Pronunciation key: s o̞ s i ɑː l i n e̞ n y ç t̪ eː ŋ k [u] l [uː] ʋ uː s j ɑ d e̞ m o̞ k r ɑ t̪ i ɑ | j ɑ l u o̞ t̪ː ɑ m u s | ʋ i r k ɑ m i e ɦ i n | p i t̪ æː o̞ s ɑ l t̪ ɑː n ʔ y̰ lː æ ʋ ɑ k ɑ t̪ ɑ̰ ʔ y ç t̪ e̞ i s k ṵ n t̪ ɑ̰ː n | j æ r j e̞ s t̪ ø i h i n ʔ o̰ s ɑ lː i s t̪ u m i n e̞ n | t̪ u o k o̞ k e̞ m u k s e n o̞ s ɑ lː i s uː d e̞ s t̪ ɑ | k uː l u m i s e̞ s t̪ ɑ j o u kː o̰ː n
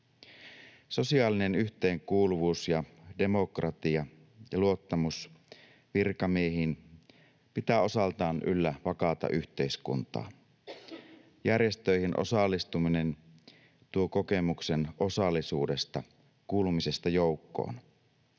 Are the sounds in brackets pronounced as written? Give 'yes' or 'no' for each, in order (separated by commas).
no, no